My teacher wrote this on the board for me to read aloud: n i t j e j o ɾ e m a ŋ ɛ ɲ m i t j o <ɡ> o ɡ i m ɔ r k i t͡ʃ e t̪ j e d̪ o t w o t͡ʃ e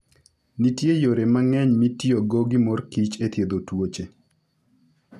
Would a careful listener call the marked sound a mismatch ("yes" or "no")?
no